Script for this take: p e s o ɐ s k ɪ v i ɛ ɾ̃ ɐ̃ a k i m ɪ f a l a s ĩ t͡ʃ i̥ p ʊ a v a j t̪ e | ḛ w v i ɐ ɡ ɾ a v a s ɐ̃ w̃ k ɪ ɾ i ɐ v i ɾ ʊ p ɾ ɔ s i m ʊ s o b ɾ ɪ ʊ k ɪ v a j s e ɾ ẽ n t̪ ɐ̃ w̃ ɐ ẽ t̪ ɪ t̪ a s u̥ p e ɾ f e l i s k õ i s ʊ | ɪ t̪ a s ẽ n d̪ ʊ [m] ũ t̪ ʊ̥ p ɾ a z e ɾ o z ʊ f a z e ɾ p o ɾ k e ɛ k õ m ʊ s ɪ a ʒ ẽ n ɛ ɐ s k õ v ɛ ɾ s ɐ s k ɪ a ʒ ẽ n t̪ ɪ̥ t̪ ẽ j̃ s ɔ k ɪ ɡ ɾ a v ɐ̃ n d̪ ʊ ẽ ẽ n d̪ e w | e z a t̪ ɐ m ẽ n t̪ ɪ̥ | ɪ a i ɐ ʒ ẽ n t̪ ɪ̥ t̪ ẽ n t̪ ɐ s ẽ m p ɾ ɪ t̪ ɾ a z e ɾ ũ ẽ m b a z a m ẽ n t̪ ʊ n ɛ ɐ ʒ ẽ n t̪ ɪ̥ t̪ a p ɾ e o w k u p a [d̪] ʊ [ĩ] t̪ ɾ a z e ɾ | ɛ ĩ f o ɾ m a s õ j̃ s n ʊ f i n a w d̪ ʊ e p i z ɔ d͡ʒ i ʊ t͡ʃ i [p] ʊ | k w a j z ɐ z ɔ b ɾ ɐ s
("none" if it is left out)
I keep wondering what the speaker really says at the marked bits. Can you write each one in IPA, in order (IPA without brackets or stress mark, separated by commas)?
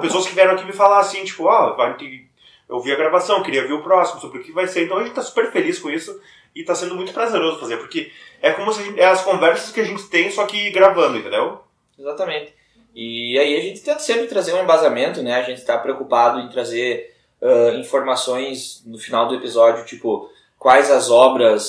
m, d̪, ẽ, p